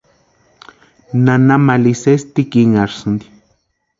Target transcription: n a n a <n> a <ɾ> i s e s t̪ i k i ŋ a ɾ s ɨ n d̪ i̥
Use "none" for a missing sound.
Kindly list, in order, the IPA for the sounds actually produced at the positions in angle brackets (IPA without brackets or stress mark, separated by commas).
m, l